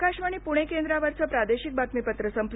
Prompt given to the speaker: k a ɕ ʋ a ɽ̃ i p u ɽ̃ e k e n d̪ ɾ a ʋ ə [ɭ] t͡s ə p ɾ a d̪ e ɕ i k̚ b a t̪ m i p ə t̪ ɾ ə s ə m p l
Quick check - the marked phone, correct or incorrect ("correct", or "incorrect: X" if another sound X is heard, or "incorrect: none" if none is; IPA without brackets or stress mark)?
incorrect: ɾ